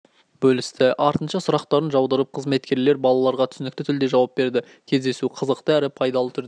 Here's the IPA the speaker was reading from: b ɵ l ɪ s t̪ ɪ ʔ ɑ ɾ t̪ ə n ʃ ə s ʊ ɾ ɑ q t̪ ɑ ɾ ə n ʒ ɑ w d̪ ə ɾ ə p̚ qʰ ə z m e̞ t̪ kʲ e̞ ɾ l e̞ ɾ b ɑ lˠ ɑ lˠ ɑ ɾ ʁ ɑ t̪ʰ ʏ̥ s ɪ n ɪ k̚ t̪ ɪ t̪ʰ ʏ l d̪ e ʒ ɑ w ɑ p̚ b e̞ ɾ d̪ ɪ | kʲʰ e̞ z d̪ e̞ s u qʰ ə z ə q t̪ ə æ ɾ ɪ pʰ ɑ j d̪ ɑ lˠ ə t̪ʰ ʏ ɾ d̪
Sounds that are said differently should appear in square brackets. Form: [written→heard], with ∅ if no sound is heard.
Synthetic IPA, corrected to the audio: b ɵ l ɪ s t̪ ɪ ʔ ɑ ɾ t̪ ə n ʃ [ə→ɑ] s ʊ ɾ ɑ q t̪ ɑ ɾ ə n ʒ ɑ w d̪ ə ɾ ə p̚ qʰ ə z m e̞ t̪ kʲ e̞ ɾ l e̞ ɾ b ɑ lˠ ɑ lˠ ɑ ɾ ʁ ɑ t̪ʰ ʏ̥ s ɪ n ɪ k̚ t̪ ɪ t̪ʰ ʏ l d̪ e ʒ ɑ w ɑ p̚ b e̞ ɾ d̪ ɪ | kʲʰ e̞ z d̪ e̞ s u qʰ ə z ə q t̪ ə æ ɾ ɪ pʰ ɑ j d̪ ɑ lˠ ə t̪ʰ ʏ ɾ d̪

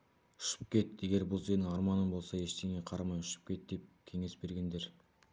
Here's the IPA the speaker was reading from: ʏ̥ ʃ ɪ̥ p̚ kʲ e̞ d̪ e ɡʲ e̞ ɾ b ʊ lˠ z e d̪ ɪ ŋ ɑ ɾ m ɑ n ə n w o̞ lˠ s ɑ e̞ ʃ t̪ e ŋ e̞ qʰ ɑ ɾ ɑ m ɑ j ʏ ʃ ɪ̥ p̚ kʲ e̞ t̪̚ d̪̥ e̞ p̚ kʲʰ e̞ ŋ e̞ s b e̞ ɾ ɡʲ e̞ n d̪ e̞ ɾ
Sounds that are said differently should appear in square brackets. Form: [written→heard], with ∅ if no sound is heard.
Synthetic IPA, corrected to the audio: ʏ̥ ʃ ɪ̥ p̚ kʲ e̞ [d̪→t̪] e ɡʲ e̞ ɾ b ʊ lˠ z e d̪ ɪ ŋ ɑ ɾ m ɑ n ə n [w→b] o̞ lˠ s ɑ e̞ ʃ t̪ e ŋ e̞ qʰ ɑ ɾ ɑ m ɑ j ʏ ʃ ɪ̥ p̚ kʲ e̞ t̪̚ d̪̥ e̞ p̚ kʲʰ e̞ ŋ e̞ s b e̞ ɾ ɡʲ e̞ n d̪ e̞ ɾ

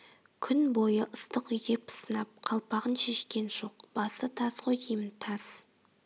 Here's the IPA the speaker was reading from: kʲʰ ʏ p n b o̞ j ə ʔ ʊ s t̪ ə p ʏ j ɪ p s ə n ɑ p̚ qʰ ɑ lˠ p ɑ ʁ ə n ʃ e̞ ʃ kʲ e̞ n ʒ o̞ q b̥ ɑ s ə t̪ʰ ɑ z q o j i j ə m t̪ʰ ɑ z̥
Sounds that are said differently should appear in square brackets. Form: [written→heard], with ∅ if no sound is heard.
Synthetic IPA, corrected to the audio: kʲʰ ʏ [p→∅] n b o̞ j ə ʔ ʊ s t̪ ə [p→q] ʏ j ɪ p s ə n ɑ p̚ qʰ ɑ lˠ p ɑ ʁ ə n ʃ e̞ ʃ kʲ e̞ n ʒ o̞ q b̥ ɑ s ə t̪ʰ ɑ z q o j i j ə m t̪ʰ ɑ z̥

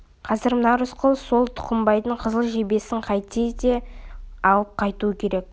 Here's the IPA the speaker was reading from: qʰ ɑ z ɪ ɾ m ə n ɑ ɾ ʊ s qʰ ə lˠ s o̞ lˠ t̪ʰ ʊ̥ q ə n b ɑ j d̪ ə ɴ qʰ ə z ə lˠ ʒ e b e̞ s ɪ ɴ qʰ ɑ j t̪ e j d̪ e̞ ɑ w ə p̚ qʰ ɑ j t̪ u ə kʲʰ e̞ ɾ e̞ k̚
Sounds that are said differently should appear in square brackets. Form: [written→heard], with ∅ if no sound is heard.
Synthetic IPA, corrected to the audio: qʰ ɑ z ɪ ɾ m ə n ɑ ɾ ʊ s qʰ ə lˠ s o̞ lˠ t̪ʰ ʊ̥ q ə [n→m] b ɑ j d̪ ə ɴ qʰ ə z ə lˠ ʒ e b e̞ s ɪ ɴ qʰ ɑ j t̪ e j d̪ e̞ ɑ w ə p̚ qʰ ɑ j t̪ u ə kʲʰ e̞ ɾ e̞ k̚

